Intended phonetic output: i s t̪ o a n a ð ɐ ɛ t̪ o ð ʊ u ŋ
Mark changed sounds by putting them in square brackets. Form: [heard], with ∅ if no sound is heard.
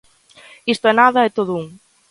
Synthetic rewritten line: i s t̪ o [ɛ] n a ð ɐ ɛ t̪ o ð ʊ u ŋ